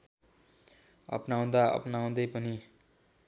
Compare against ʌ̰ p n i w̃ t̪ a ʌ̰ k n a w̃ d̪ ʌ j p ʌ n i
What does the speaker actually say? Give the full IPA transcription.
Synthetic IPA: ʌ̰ p n a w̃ d̪ a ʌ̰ p n a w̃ d̪ ʌ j p ʌ n i